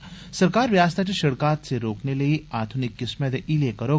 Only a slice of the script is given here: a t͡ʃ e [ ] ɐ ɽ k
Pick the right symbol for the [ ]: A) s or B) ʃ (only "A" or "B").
B